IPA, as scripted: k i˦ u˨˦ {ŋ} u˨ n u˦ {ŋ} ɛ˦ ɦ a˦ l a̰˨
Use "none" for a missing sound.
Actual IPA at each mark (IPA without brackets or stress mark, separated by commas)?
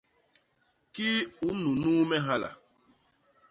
n, m